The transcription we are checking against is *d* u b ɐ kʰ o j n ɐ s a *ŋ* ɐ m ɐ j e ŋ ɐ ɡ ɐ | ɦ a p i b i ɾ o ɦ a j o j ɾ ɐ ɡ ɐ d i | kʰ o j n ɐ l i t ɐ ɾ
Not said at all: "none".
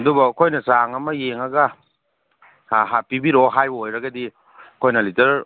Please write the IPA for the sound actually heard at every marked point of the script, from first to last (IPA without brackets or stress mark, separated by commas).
d, ŋ